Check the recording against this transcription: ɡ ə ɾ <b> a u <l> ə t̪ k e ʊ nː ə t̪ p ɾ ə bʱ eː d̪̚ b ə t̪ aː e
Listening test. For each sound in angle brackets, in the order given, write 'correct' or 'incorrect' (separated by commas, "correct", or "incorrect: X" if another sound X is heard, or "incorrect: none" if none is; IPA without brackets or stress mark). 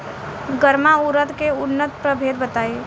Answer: incorrect: m, incorrect: ɾ